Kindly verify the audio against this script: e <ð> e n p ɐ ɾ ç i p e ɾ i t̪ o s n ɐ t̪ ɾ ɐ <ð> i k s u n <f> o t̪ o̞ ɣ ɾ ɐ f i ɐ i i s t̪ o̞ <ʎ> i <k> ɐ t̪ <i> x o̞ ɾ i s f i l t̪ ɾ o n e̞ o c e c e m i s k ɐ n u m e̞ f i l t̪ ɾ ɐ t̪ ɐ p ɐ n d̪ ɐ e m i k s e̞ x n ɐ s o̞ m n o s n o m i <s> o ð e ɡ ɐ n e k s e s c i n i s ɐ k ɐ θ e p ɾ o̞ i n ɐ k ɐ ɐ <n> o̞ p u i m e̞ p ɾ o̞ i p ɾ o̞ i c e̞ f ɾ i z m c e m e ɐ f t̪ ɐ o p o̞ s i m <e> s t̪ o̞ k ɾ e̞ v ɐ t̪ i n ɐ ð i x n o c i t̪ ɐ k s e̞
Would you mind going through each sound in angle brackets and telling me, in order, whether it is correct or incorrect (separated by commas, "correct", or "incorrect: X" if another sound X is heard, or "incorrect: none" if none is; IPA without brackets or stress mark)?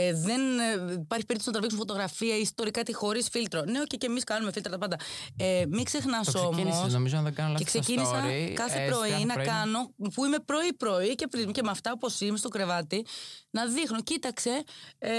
correct, incorrect: v, correct, incorrect: ɾ, correct, correct, incorrect: z, correct, correct